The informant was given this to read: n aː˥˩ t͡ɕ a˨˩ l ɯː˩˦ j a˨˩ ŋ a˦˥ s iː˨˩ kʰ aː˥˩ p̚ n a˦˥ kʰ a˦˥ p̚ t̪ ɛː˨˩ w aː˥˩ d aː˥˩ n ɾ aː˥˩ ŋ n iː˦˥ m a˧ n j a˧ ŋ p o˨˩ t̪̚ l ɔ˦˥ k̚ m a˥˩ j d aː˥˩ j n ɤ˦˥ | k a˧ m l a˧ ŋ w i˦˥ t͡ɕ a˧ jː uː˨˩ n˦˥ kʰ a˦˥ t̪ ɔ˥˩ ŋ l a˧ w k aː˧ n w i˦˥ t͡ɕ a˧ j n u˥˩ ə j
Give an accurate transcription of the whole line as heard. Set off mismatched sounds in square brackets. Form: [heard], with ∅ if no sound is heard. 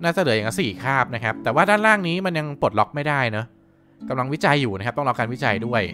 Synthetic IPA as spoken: n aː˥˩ t͡ɕ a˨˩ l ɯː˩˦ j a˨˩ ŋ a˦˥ s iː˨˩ kʰ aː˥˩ p̚ n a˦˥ kʰ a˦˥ p̚ t̪ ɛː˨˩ w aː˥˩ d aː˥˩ n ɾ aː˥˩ ŋ n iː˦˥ m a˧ n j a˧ ŋ p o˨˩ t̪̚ l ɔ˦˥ k̚ m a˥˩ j d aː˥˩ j n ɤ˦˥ | k a˧ m l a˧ ŋ w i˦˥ t͡ɕ a˧ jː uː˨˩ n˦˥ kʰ a˦˥ t̪ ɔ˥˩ ŋ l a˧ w k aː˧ n w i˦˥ t͡ɕ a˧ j [d] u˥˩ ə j